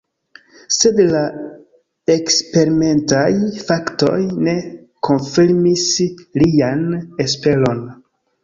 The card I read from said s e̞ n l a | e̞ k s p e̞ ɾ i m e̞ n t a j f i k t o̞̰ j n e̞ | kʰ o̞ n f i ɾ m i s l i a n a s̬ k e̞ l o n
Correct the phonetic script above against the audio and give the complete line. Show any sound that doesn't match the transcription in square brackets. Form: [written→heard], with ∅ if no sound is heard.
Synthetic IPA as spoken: s e̞ [n→d] l a | e̞ k s p e̞ ɾ i m e̞ n t a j f [i→a] k t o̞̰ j n e̞ | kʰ o̞ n f i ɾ m i s l i a n [a→e] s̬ [k→p] e̞ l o n